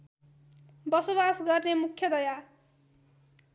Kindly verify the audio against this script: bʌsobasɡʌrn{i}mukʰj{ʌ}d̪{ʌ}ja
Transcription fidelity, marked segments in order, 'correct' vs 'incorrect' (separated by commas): incorrect, correct, correct